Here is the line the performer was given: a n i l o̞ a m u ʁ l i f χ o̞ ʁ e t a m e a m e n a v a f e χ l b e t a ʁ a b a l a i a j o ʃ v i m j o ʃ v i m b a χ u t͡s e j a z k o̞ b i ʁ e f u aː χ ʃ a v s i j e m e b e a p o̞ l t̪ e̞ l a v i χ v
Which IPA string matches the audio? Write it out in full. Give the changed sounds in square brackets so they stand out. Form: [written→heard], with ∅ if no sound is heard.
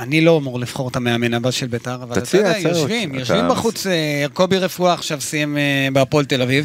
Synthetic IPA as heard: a n i l o̞ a m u ʁ l i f χ o̞ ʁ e t a m e a m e n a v a [f→ʃ] e [χ→∅] l b e t a ʁ a [b→v] a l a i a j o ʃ v i m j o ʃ v i m b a χ u t͡s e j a [z→ʁ] k o̞ b i ʁ e f u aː χ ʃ a v s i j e m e b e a p o̞ l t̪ e̞ l a v i [χ→∅] v